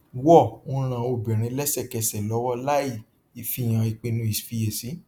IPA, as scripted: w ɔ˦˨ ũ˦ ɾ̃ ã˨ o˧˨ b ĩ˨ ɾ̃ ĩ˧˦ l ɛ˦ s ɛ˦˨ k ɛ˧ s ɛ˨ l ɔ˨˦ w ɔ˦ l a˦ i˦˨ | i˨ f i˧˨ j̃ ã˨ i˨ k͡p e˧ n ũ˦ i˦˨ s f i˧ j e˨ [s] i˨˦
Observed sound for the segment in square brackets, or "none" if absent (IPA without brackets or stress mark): s